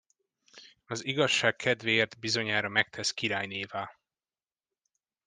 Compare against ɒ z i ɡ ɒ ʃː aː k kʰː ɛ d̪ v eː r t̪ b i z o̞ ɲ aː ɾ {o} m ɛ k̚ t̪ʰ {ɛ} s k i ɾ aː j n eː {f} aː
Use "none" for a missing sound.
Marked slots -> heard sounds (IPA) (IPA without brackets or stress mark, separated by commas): ɒ, ɛ, v